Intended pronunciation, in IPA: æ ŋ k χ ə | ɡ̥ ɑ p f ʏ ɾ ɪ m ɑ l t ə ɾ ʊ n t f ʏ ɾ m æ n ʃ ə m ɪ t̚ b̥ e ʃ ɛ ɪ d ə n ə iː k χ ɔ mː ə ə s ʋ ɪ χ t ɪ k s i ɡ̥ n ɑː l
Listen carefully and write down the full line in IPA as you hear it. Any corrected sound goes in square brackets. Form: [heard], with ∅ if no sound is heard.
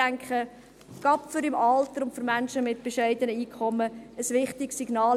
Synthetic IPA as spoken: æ ŋ k χ ə | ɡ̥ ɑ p f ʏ ɾ ɪ m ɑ l t ə ɾ ʊ n t f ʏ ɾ m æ n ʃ ə m ɪ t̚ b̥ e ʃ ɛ ɪ d ə n ə iː k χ ɔ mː ə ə s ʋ ɪ χ t ɪ k s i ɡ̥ n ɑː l